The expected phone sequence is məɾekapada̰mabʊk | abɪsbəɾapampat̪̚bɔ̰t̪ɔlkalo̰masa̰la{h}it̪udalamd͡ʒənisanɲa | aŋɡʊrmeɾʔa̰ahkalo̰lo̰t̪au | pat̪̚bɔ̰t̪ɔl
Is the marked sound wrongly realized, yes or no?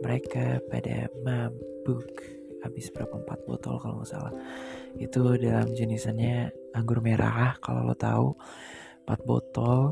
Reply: no